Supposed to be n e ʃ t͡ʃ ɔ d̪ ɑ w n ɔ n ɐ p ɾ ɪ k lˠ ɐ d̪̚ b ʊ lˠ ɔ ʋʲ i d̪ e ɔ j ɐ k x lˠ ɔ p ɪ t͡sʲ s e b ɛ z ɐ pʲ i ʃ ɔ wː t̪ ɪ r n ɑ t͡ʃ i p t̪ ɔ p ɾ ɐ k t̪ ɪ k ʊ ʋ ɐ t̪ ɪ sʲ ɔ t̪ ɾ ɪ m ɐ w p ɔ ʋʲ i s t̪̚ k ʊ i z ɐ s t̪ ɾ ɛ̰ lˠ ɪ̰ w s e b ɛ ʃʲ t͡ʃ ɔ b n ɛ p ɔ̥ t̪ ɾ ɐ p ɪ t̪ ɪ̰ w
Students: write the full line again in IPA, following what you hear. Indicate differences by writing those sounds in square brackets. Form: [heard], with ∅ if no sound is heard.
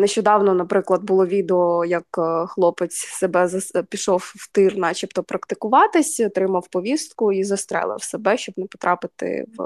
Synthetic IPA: n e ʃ t͡ʃ ɔ d̪ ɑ w n ɔ n ɐ p ɾ ɪ k lˠ ɐ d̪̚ b ʊ lˠ ɔ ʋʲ i d̪ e ɔ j ɐ k x lˠ ɔ p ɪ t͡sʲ s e b ɛ z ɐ pʲ i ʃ ɔ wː t̪ ɪ r n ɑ t͡ʃ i p t̪ ɔ p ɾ ɐ k t̪ ɪ k ʊ ʋ [ɑ] t̪ ɪ sʲ ɔ t̪ ɾ ɪ m ɐ w p ɔ ʋʲ i s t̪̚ k ʊ i z ɐ s t̪ ɾ ɛ̰ lˠ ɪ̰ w s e b ɛ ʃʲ t͡ʃ ɔ b n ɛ p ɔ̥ t̪ ɾ [ɑ] p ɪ t̪ ɪ̰ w